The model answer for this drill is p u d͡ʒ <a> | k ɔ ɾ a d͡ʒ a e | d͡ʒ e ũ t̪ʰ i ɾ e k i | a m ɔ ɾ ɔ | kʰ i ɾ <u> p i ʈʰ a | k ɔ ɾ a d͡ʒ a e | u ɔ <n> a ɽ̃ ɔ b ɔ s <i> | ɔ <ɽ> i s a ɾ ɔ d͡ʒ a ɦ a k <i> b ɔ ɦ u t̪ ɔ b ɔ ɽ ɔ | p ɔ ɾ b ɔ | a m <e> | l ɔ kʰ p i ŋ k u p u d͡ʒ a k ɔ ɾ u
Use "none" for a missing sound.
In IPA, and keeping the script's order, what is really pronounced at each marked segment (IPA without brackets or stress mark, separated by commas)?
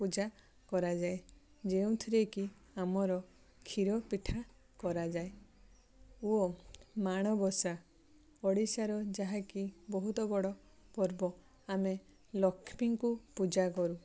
a, ɔ, m, a, ɽ, i, e